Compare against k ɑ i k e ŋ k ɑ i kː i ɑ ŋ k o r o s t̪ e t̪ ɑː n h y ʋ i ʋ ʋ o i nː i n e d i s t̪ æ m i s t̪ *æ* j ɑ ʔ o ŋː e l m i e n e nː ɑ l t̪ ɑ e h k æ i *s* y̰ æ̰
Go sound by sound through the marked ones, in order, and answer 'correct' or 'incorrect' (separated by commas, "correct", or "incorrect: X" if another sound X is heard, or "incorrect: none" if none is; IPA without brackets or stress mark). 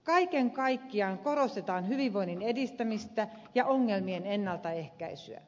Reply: correct, correct